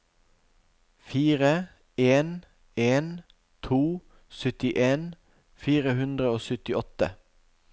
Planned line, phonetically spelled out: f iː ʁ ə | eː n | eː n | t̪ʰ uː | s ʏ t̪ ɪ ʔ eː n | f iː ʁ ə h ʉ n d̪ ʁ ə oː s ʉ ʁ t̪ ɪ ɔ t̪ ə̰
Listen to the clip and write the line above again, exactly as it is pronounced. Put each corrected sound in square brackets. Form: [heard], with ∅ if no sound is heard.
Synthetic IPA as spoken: f iː ʁ ə | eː n | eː n | t̪ʰ uː | s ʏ t̪ ɪ ʔ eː n | f iː ʁ ə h ʉ n d̪ ʁ ə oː s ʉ [∅] t̪ ɪ ɔ t̪ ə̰

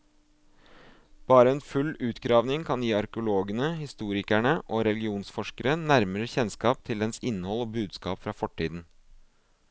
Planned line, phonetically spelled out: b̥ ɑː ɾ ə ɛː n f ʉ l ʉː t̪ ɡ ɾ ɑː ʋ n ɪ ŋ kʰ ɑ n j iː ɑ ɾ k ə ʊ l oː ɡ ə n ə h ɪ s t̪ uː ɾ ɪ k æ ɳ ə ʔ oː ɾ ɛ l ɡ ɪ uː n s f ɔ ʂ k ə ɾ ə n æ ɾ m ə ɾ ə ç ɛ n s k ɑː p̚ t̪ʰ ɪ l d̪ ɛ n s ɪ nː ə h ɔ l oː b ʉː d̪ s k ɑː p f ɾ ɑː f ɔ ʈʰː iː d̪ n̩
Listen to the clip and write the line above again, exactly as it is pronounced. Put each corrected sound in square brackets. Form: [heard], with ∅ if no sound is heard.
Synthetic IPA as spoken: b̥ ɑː ɾ ə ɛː n f ʉ l ʉː t̪ ɡ ɾ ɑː ʋ n ɪ ŋ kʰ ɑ n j iː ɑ ɾ k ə ʊ l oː ɡ ə n ə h ɪ s t̪ uː ɾ ɪ k æ ɳ ə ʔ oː ɾ ɛ l ɡ ɪ uː n s f ɔ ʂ k ə ɾ ə n æ ɾ m ə ɾ ə ç ɛ n s k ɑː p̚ t̪ʰ ɪ l d̪ ɛ n s ɪ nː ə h ɔ l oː b ʉː d̪ s k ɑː p f ɾ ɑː f ɔ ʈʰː iː d̪ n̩

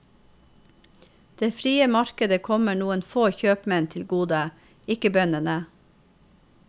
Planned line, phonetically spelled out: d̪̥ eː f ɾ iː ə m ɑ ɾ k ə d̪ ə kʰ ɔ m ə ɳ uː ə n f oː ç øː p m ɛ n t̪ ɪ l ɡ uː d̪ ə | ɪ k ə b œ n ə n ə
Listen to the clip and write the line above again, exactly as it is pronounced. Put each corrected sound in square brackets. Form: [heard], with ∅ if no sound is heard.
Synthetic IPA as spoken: d̪̥ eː f ɾ iː ə m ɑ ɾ k ə d̪ ə kʰ ɔ m ə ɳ uː ə n f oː ç øː p m ɛ n [t̪ʰ] ɪ l ɡ uː d̪ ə | ɪ k ə b œ n ə n ə

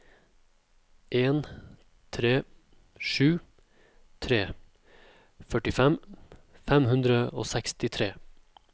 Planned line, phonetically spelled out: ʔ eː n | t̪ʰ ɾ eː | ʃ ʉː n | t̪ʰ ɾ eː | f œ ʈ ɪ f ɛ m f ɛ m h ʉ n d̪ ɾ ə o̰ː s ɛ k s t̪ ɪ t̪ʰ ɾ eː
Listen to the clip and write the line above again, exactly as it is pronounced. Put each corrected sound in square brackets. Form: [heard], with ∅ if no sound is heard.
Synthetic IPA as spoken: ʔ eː n | t̪ʰ ɾ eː | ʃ ʉː [∅] | t̪ʰ ɾ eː | f œ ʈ ɪ f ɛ m f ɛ m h ʉ n d̪ ɾ ə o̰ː s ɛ k s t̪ ɪ t̪ʰ ɾ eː

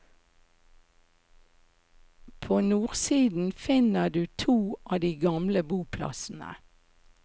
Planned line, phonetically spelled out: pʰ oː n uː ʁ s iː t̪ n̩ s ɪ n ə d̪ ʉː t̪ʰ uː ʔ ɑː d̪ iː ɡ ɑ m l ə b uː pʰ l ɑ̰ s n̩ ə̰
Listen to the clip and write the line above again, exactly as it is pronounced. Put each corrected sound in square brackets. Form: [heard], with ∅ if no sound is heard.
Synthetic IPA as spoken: pʰ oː n uː ʁ s iː [d̪] n̩ [f] ɪ n ə d̪ ʉː t̪ʰ uː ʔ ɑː d̪ iː ɡ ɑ m l ə b uː pʰ l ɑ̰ s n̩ ə̰

